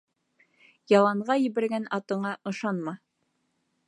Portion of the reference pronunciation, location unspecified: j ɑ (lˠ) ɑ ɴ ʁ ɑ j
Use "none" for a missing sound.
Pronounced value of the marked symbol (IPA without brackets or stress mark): lˠ